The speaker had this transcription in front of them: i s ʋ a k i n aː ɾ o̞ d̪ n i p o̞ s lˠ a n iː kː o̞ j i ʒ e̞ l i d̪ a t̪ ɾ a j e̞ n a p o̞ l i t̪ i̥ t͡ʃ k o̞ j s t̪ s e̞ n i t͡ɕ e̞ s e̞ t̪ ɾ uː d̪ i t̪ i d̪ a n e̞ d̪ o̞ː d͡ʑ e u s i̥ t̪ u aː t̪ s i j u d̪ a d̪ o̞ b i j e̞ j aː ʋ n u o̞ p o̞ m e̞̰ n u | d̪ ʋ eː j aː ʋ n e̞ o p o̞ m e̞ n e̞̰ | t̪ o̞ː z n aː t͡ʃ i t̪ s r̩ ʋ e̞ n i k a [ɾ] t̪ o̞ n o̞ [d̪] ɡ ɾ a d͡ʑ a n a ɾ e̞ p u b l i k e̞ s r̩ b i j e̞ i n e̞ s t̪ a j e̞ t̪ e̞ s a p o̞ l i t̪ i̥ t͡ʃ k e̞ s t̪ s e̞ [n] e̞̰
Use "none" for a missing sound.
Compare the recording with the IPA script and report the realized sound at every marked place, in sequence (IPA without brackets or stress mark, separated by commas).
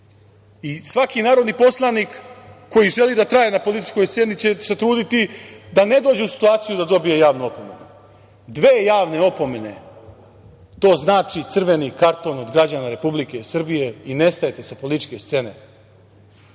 ɾ, d̪, n